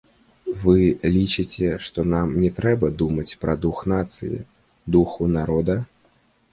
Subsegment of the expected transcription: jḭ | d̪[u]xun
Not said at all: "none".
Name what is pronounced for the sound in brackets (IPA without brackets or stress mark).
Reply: u